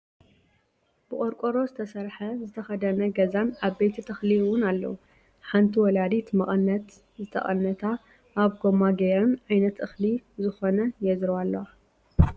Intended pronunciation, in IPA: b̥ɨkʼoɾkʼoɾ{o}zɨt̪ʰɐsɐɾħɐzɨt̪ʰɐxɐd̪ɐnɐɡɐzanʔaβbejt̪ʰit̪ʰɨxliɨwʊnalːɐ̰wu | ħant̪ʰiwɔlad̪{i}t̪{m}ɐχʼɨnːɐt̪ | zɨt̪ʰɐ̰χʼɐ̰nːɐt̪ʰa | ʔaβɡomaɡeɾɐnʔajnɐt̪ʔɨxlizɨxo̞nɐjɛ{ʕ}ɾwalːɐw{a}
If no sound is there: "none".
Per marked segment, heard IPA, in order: o, i, m, z, a

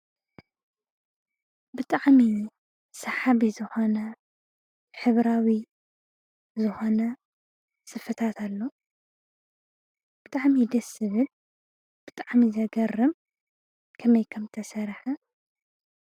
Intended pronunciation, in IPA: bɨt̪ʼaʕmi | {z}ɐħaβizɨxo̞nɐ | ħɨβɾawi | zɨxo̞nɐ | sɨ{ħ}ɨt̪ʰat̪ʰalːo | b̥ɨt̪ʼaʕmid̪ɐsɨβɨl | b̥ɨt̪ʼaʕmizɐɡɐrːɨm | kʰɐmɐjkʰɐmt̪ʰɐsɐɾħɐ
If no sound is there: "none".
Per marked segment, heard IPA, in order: s, f

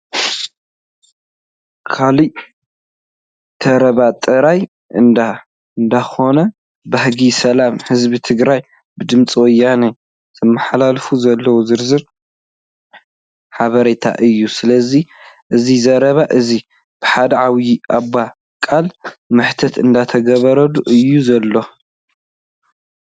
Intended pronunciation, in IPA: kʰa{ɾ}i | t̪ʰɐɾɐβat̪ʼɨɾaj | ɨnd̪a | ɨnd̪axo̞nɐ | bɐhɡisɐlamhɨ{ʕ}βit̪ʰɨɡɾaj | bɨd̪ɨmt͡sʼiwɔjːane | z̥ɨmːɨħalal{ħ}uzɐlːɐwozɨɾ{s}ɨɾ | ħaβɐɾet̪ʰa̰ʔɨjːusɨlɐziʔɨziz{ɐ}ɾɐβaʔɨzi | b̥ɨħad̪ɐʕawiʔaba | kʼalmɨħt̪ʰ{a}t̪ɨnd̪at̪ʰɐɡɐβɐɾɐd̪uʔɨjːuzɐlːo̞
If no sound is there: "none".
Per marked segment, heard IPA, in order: l, z, f, z, ɐ, ɐ

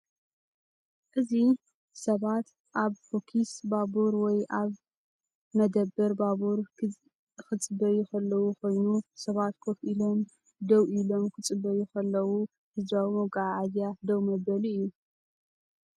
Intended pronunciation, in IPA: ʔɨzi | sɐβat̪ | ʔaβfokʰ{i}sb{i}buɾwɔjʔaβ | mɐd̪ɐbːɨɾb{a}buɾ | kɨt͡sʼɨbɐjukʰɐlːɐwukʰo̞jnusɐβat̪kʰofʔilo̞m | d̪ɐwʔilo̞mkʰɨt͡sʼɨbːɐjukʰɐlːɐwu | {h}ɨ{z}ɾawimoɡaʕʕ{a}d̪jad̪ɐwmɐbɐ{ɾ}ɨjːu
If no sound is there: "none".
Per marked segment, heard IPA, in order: i, a, a, h, z, a, l

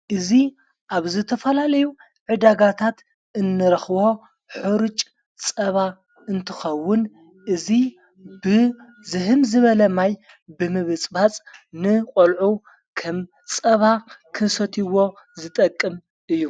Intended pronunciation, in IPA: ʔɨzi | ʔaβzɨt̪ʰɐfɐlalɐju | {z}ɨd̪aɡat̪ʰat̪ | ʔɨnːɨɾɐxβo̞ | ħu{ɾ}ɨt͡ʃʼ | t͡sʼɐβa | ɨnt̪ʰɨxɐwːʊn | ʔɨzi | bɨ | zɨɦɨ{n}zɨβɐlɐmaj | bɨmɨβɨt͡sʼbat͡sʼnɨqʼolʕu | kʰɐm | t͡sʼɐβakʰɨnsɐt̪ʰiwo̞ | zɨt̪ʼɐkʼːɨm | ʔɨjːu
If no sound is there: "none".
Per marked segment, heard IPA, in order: ʕ, ɾ, m

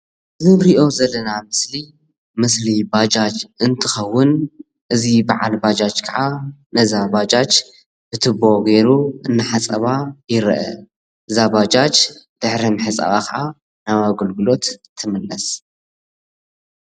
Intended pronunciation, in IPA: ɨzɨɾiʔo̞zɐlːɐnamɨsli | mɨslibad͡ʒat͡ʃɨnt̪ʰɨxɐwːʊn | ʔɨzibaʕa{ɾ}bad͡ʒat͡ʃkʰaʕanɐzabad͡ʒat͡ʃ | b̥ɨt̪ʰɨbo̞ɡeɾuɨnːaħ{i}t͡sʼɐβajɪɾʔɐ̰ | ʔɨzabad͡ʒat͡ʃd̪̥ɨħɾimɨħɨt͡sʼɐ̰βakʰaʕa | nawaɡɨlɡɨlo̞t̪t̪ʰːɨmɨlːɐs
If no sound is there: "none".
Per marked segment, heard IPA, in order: l, a

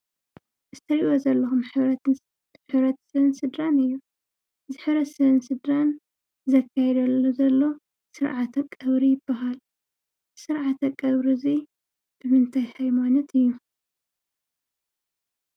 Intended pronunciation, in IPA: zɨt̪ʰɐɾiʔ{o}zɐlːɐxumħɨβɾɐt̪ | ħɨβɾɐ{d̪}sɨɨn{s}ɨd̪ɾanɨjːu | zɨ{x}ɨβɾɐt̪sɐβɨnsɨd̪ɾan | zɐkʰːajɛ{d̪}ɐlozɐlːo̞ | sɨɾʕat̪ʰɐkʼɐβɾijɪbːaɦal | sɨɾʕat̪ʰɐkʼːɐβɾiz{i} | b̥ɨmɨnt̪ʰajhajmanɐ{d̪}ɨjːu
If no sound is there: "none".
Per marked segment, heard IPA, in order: o, t̪, s, ħ, d̪, i, t̪

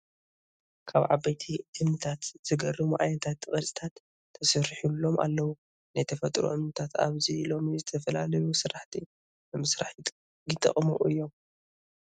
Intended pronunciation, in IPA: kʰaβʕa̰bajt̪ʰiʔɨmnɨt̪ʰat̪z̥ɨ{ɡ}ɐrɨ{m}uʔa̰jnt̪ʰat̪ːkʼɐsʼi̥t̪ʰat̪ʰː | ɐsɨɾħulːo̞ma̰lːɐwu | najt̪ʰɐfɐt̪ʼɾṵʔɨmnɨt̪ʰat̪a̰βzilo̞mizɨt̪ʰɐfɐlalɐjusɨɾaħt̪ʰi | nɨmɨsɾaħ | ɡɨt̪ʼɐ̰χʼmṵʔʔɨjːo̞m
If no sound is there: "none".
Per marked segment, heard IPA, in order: ɡ, m

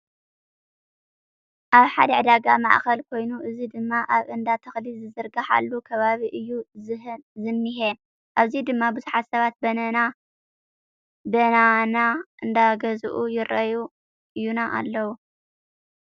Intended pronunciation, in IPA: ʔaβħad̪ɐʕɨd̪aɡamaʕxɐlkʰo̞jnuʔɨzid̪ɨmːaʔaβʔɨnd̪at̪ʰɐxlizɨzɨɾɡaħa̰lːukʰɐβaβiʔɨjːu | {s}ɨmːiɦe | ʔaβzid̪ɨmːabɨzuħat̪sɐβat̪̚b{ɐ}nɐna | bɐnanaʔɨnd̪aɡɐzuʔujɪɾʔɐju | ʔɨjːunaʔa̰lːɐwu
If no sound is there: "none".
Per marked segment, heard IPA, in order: z, ɐ

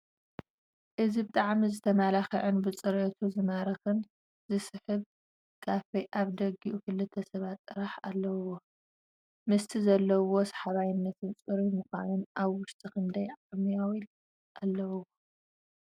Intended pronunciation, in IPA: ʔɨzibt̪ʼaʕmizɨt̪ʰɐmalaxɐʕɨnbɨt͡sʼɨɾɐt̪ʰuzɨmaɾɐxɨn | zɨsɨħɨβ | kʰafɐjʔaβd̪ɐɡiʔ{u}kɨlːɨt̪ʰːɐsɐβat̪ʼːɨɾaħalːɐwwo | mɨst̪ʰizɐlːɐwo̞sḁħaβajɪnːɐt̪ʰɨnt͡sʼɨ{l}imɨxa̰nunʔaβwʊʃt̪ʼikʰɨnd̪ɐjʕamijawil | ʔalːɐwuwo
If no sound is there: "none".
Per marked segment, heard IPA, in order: u, ɾ

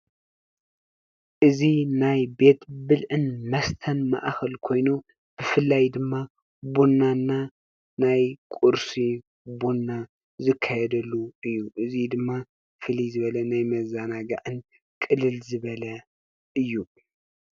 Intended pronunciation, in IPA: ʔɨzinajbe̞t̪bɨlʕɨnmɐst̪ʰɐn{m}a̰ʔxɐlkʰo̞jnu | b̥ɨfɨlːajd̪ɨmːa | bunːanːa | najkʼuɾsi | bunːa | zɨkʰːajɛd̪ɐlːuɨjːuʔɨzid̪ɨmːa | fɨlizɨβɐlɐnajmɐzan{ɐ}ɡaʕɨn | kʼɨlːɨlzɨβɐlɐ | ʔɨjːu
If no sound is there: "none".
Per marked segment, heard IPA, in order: m, a

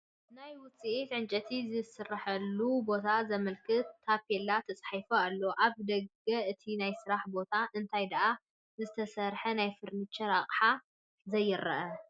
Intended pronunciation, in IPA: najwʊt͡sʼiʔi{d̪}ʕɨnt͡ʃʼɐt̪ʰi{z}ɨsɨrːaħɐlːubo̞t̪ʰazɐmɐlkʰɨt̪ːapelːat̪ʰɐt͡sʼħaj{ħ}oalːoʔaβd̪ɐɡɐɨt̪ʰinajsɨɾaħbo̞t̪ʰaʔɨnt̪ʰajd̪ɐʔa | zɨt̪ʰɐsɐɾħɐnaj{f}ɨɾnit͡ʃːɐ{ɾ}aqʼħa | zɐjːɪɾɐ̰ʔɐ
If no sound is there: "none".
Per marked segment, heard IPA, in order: t̪, z, f, f, ɾ

